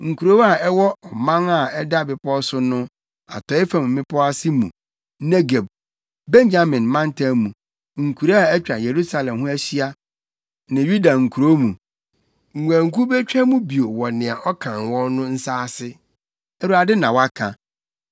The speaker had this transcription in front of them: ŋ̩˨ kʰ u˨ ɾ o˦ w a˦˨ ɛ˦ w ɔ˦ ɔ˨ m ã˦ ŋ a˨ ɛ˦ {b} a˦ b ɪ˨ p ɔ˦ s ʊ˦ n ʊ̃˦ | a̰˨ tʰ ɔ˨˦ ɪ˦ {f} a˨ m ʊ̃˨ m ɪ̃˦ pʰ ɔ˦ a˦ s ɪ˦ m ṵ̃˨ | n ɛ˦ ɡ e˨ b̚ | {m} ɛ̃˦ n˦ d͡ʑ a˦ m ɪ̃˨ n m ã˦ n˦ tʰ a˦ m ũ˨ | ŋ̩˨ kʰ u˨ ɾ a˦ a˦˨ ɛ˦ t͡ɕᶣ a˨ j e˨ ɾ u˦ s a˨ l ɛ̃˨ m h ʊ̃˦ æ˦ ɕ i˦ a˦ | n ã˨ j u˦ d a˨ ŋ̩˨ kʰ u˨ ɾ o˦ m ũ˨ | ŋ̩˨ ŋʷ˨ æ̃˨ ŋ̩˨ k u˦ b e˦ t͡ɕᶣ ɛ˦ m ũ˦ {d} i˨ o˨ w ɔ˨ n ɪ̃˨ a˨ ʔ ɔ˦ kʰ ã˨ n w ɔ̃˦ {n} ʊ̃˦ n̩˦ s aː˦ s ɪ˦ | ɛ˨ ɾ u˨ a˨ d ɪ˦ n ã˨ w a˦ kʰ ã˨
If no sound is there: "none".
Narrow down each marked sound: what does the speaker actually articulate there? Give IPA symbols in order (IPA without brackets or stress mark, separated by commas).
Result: d, f, b, b, n